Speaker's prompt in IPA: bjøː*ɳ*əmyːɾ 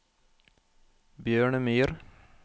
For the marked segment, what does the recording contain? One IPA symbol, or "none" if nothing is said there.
ɳ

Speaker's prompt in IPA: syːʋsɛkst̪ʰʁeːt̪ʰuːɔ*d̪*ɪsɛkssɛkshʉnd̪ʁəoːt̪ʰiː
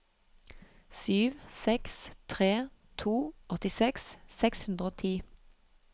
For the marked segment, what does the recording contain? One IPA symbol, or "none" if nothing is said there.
t̪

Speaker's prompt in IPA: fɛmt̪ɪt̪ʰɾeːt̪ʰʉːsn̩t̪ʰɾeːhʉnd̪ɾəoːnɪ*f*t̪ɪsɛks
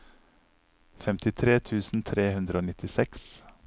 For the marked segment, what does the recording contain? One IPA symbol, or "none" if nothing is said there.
none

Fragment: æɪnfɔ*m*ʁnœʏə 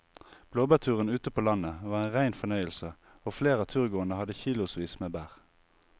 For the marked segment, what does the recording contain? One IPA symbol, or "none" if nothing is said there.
none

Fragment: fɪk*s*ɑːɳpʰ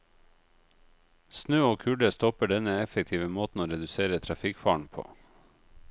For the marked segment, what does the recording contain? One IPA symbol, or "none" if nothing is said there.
f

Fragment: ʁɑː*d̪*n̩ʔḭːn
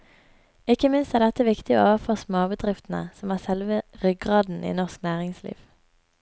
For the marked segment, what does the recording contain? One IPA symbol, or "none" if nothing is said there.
d̪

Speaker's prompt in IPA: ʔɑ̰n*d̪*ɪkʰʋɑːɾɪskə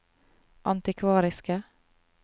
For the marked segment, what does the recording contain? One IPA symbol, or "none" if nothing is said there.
t̪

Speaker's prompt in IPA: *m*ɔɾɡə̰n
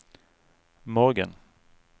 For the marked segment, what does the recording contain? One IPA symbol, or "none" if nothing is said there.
m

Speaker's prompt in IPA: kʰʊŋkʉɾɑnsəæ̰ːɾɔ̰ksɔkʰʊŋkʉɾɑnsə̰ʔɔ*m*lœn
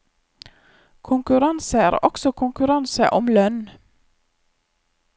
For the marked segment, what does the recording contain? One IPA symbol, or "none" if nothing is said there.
m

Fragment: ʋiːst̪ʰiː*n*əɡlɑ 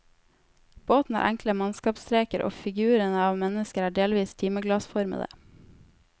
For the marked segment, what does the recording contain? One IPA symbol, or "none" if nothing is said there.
m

